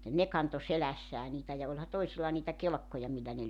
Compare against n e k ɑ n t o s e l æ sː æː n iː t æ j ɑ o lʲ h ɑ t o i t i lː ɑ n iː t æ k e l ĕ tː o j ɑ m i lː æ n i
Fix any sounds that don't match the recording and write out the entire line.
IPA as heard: n e k ɑ n t o s e l æ sː æː n iː t æ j ɑ o lʲ h ɑ t o i s i lː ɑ n iː t æ k e l ĕ kː o j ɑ m i lː æ n e